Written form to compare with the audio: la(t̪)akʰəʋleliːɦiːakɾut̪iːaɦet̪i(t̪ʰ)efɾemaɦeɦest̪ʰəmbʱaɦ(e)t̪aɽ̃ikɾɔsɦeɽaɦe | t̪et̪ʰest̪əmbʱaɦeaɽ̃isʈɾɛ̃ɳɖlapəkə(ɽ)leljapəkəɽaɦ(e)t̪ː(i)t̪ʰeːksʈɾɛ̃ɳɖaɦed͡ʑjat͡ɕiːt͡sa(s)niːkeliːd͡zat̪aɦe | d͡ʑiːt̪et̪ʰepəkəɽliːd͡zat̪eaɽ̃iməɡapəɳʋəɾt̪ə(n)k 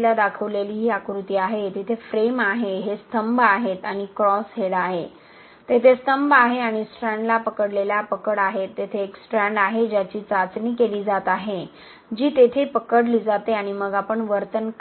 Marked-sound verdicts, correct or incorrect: incorrect, correct, correct, correct, correct, incorrect, incorrect, correct

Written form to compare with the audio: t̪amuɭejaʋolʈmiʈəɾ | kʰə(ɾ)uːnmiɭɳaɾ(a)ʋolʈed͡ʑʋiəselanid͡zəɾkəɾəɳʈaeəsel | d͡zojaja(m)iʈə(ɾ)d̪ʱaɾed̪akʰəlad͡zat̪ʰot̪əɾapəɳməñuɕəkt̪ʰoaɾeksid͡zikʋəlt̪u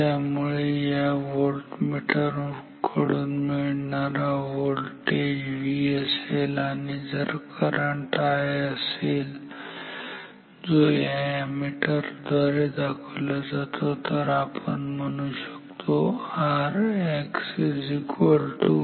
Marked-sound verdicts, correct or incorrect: incorrect, correct, correct, correct

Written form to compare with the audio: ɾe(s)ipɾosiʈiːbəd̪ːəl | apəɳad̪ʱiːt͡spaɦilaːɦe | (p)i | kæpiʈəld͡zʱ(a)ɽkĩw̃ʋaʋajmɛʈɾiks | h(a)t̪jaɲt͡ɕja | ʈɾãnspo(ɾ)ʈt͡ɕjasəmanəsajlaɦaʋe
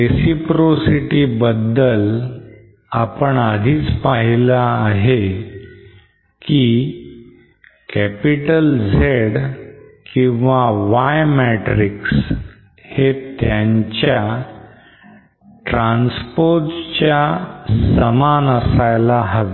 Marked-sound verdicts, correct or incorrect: correct, incorrect, incorrect, incorrect, correct

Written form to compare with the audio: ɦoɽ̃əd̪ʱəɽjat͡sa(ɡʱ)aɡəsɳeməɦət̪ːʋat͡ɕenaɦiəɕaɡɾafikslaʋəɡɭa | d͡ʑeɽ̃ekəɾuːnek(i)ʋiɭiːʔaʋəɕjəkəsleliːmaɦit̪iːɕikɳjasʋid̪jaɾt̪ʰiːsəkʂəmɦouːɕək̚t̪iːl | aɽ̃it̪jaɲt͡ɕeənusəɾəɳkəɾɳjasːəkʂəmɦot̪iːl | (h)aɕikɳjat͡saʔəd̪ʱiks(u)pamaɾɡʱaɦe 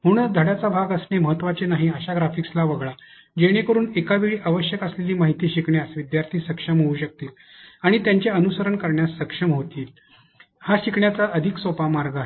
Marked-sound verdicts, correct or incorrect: incorrect, incorrect, correct, incorrect

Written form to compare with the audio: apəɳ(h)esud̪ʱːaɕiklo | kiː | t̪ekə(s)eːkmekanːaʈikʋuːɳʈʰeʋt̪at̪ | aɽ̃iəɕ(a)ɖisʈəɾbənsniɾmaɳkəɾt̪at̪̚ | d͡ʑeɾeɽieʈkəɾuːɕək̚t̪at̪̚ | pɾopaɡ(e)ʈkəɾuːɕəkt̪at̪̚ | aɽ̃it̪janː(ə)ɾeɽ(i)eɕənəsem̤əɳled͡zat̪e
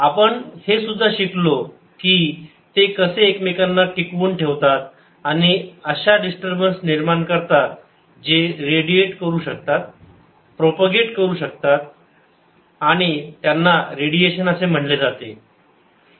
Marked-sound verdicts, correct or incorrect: correct, correct, correct, correct, incorrect, correct

